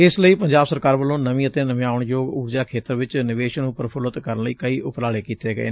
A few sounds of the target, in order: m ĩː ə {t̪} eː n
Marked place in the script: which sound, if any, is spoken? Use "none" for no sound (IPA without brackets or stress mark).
t̪